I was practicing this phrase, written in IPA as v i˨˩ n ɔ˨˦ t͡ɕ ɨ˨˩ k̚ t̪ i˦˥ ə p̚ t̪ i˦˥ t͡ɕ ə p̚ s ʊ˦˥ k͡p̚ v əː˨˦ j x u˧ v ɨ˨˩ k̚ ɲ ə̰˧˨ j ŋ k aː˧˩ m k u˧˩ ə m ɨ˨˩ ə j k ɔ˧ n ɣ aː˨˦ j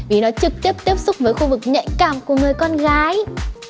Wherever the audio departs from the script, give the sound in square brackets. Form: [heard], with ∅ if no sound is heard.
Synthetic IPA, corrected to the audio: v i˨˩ n ɔ˨˦ t͡ɕ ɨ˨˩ k̚ t̪ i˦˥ ə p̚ t̪ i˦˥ [∅] ə p̚ s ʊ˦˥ k͡p̚ v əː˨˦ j x u˧ v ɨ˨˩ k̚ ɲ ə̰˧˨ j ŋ k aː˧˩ m k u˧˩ ə [ŋ] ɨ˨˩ ə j k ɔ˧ n ɣ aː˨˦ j